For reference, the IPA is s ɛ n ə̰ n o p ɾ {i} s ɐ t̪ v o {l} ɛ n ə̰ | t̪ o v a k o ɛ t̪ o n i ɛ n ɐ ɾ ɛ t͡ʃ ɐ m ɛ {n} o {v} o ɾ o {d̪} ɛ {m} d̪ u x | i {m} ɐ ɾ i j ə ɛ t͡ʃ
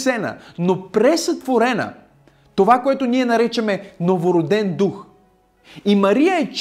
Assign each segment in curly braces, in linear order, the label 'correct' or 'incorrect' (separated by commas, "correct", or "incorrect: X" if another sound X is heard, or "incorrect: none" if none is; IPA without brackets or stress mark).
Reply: incorrect: ɛ, incorrect: ɾ, correct, correct, correct, incorrect: n, correct